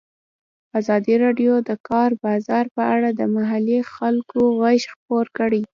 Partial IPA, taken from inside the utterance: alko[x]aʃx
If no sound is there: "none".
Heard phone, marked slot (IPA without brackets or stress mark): ɣ